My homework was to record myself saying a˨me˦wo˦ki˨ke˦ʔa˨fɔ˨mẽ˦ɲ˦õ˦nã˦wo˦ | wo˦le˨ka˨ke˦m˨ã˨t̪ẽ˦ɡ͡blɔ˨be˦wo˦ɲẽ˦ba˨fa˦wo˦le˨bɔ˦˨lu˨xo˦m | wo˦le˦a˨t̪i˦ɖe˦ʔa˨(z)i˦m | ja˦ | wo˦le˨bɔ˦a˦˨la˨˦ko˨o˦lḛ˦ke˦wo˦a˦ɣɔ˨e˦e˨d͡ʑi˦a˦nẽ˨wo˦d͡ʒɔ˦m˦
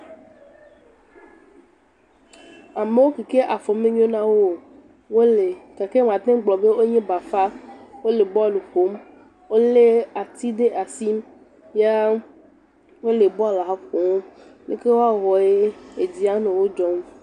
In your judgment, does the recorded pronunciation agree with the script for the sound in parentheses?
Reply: no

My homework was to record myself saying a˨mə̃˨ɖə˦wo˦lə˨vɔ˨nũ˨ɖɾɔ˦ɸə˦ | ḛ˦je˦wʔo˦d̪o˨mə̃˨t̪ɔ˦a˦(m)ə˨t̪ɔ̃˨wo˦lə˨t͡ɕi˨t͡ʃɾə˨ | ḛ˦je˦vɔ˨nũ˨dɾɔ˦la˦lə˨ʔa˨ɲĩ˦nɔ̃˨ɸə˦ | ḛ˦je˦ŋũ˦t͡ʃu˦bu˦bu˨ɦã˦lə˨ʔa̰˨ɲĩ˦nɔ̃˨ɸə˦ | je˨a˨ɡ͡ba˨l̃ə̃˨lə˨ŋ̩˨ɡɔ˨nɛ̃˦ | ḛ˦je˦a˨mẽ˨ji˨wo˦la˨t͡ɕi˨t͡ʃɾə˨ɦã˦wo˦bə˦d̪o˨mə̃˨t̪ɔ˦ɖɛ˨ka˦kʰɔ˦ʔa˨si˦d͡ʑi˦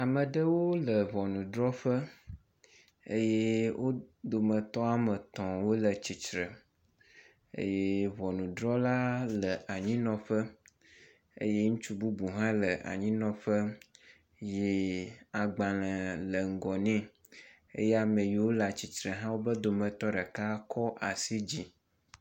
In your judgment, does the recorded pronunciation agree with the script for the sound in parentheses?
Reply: yes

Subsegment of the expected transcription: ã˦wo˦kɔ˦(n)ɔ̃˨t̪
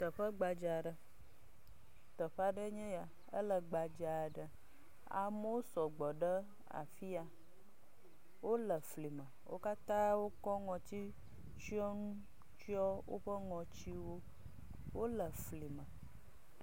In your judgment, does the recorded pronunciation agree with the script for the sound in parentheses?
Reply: no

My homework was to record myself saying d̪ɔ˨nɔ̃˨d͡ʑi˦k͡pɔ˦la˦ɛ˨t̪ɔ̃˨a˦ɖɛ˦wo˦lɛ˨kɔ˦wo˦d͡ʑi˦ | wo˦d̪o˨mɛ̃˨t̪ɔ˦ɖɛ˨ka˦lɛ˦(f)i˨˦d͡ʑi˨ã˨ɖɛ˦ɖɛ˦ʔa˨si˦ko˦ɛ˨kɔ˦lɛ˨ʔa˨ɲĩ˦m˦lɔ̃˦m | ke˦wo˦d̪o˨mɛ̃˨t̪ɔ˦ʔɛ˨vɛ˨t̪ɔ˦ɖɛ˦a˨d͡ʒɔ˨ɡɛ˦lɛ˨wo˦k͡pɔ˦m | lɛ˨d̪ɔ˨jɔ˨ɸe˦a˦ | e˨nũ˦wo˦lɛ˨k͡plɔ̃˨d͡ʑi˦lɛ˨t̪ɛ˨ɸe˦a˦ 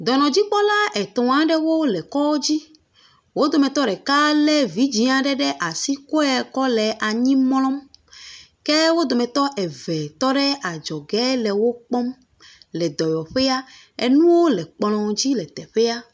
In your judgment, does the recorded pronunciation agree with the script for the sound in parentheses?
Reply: no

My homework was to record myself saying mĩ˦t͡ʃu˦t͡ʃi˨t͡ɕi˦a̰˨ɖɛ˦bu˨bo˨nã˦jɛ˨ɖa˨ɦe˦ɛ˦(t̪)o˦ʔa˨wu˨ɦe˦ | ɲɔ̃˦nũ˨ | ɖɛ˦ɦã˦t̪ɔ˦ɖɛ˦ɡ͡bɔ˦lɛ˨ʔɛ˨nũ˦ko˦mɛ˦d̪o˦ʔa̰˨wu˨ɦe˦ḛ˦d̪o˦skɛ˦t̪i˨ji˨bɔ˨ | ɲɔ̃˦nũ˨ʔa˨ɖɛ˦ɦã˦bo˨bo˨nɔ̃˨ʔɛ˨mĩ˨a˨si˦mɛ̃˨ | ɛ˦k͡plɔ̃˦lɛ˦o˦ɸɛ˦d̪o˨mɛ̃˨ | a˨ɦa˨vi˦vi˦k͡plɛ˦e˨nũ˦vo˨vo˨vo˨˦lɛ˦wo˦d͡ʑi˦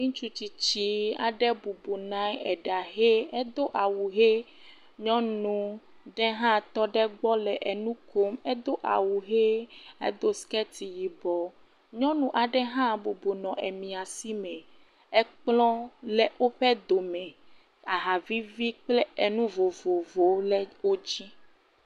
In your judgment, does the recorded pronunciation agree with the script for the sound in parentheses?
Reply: no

